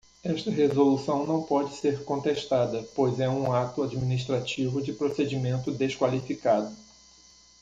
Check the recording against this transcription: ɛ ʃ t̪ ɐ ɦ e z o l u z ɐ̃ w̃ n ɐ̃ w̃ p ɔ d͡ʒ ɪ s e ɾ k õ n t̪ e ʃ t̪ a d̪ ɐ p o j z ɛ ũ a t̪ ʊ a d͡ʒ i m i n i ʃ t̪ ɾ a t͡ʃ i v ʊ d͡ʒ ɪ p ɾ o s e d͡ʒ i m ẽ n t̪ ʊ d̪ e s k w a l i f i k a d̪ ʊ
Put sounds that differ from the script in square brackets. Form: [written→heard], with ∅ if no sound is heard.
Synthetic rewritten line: ɛ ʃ t̪ ɐ ɦ e z o l u [z→s] ɐ̃ w̃ n ɐ̃ w̃ p ɔ d͡ʒ ɪ s e ɾ k õ n t̪ e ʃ t̪ a d̪ ɐ p o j z ɛ ũ a t̪ ʊ a d͡ʒ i m i n i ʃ t̪ ɾ a t͡ʃ i v ʊ d͡ʒ ɪ p ɾ o s e d͡ʒ i m ẽ n t̪ ʊ d̪ e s k w a l i f i k a d̪ ʊ